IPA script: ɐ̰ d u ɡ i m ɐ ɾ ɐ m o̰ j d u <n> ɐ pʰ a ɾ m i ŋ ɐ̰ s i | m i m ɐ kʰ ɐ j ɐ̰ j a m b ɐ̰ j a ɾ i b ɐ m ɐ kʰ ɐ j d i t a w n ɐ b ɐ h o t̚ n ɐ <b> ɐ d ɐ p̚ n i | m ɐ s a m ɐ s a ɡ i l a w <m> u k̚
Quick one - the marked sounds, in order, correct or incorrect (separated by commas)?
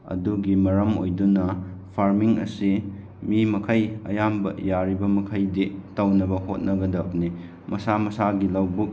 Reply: correct, incorrect, incorrect